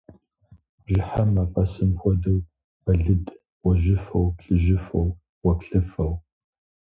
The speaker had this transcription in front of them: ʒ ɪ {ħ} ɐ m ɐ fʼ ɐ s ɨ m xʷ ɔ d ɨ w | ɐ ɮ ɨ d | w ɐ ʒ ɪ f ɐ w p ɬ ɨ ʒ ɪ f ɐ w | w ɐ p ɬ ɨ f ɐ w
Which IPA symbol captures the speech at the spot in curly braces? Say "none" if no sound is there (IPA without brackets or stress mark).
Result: ħ